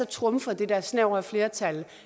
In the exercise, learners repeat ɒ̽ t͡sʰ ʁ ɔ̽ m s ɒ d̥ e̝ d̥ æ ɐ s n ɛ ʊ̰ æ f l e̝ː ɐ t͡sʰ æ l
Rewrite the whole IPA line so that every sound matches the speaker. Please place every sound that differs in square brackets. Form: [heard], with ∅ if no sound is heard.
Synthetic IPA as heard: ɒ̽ t͡sʰ ʁ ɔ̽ m [f] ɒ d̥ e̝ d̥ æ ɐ s n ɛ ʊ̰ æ f l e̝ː ɐ t͡sʰ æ l